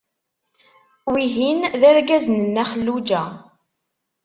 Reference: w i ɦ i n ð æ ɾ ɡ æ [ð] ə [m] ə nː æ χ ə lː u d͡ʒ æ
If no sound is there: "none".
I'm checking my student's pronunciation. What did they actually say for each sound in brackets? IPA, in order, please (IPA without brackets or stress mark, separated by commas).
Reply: z, n